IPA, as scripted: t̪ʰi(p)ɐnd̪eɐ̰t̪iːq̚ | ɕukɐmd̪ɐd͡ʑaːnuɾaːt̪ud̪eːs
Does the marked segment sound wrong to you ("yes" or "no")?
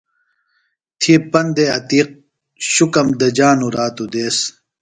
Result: no